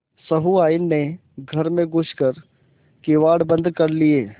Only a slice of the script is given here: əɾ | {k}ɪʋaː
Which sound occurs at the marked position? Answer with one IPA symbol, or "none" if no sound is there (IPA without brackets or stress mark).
k